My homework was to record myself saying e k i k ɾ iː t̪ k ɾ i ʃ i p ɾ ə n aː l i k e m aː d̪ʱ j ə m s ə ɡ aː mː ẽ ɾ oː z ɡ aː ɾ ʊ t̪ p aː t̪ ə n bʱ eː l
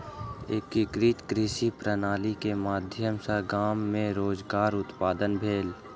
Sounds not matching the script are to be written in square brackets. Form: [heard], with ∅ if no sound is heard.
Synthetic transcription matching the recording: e k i k ɾ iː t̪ k ɾ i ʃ i p ɾ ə n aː l i k e m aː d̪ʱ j ə m s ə ɡ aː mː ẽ ɾ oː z ɡ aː ɾ ʊ t̪ p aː [d̪] ə n bʱ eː l